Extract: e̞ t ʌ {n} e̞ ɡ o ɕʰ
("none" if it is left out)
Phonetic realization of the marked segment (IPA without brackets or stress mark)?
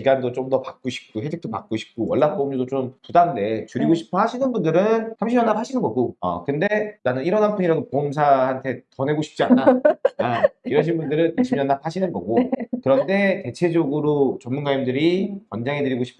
n